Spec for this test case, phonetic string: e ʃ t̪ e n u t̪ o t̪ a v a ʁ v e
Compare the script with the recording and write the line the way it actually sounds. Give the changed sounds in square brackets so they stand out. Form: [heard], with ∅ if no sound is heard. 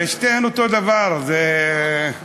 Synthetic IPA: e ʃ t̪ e n [o] t̪ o [d̪] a v a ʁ [z] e